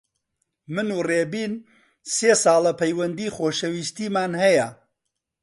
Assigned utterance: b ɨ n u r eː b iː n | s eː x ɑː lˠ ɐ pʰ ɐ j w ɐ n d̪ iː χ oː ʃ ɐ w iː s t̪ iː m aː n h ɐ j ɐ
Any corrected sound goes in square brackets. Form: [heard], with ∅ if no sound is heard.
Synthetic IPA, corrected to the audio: [m] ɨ n u r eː b iː n | s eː [s] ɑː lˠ ɐ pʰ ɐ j w ɐ n d̪ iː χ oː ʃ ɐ w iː s t̪ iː m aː n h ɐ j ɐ